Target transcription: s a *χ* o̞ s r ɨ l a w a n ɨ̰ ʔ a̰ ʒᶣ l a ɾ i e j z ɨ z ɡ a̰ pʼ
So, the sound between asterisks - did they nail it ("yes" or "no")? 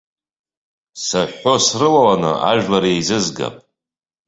no